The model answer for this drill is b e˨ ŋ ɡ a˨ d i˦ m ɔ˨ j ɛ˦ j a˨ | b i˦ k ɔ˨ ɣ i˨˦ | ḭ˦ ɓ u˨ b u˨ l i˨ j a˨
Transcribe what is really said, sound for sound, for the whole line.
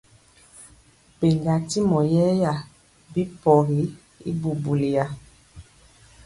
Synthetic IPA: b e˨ ŋ ɡ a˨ t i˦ m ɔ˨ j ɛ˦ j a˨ | b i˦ p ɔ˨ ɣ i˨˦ | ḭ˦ b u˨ b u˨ l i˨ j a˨